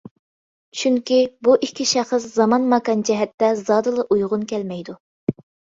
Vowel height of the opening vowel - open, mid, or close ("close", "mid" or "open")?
close